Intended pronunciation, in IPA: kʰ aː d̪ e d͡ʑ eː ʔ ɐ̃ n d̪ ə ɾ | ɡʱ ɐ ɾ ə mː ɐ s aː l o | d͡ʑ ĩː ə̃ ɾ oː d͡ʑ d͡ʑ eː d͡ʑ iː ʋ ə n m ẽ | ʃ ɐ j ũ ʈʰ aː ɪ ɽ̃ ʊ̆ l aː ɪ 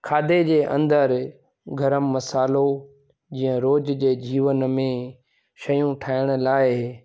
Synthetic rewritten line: kʰ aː d̪ e d͡ʑ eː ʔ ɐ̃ n d̪ ə ɾ | ɡʱ ɐ ɾ ə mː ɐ s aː l o | d͡ʑ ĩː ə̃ ɾ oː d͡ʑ d͡ʑ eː d͡ʑ iː ʋ ə n m ẽ | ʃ ɐ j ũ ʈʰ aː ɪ ɽ̃ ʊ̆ l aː ɪ

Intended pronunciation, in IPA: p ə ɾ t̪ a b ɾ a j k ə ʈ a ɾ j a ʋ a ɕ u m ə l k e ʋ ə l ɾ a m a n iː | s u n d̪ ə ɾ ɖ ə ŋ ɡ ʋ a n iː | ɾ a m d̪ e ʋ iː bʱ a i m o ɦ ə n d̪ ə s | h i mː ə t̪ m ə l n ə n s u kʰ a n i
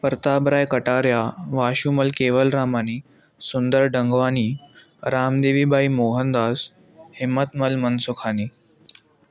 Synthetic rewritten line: p ə ɾ t̪ a b ɾ a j k ə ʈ a ɾ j a ʋ a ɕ u m ə l k e ʋ ə l ɾ a m a n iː | s u n d̪ ə ɾ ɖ ə ŋ ɡ ʋ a n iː | ɾ a m d̪ e ʋ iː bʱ a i m o ɦ ə n d̪ a s | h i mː ə t̪ m ə l m ə n s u kʰ a n i

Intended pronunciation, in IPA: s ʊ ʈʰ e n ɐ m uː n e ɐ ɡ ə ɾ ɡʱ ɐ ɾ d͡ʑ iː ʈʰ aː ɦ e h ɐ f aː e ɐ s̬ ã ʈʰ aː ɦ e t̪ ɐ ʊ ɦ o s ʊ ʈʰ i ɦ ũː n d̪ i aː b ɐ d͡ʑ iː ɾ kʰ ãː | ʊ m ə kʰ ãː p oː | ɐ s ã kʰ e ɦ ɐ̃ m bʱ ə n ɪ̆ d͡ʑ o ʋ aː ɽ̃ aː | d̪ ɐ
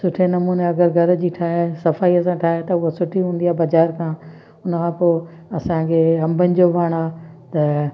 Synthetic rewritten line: s ʊ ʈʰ e n ɐ m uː n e ɐ ɡ ə ɾ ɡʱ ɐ ɾ d͡ʑ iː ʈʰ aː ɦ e s ɐ f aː i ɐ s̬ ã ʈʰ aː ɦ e t̪ ɐ ʊ ɦ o s ʊ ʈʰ i ɦ ũː n d̪ i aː b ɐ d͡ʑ aː ɾ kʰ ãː | ʊ n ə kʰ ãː p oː | ɐ s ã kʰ e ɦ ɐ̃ m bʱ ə n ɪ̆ d͡ʑ o ʋ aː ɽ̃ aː | t̪ ɐ

